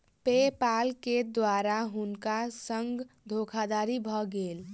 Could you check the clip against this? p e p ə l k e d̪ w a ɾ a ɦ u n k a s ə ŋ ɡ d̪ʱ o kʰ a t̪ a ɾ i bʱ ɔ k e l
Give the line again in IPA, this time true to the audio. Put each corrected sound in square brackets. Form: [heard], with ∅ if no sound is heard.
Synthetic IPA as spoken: p e p [a] l k e d̪ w a ɾ a ɦ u n k a s ə ŋ ɡ d̪ʱ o kʰ a [d̪] a ɾ i bʱ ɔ [ɡ] e l